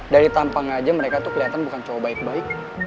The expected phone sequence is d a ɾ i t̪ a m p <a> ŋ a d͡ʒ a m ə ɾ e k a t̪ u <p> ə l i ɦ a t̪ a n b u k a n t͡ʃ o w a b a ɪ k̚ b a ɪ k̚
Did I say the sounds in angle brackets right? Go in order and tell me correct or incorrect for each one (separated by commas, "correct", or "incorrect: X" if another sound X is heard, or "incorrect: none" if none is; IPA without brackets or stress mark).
correct, incorrect: k